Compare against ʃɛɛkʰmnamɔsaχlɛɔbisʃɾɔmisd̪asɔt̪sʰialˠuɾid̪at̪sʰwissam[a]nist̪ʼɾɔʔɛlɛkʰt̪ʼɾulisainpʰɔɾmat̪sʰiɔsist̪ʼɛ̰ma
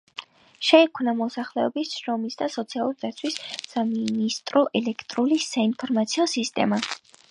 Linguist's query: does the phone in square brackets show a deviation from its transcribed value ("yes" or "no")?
yes